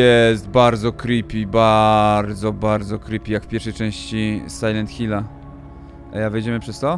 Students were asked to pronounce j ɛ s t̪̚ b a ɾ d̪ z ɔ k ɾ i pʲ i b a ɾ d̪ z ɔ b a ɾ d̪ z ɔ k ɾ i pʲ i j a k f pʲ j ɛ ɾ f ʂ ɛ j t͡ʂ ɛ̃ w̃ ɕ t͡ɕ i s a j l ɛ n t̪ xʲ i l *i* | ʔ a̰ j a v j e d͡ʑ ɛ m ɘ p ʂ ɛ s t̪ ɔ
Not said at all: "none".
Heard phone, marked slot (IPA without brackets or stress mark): a